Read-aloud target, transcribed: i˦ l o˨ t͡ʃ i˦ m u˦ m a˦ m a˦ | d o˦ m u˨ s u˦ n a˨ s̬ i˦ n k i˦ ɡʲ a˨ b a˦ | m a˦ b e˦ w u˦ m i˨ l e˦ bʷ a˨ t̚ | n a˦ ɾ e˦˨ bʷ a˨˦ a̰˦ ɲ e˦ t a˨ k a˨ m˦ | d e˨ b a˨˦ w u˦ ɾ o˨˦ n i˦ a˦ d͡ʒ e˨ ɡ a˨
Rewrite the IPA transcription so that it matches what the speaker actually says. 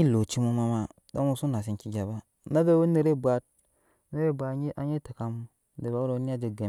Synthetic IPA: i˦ l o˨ t͡ʃ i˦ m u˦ m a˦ m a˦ | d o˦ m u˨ s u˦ n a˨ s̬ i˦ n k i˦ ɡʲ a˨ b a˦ | n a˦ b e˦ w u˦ n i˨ ɾ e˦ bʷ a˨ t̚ | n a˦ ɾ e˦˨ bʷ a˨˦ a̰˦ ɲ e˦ t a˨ k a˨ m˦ | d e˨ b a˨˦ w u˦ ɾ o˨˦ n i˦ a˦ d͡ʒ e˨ ɡ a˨